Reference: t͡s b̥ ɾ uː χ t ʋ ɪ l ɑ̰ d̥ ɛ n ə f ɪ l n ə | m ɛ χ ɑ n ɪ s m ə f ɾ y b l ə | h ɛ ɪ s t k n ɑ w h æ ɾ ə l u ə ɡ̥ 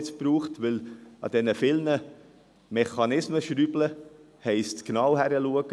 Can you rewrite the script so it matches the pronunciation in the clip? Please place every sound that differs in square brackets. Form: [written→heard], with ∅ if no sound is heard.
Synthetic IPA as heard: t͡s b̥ ɾ uː χ t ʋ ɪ l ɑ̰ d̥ ɛ n ə f ɪ l n ə | m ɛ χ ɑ n ɪ s m ə [f→ʃ] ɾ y b l ə | h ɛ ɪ s t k n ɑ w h æ ɾ ə l u ə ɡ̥